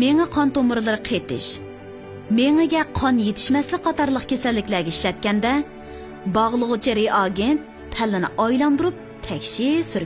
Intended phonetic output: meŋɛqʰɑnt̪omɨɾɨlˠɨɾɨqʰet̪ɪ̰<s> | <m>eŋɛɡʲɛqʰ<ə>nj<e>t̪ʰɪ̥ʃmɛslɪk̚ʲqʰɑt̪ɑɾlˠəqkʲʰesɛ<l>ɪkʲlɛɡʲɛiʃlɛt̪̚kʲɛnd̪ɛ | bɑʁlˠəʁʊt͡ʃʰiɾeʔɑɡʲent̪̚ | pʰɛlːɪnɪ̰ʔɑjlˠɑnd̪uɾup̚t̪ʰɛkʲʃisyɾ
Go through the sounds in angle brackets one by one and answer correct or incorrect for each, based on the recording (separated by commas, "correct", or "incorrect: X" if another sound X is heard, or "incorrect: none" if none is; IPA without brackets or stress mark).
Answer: incorrect: ʃ, correct, incorrect: ɑ, correct, incorrect: lː